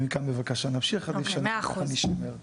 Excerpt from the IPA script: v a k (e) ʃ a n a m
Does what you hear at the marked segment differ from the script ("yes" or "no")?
yes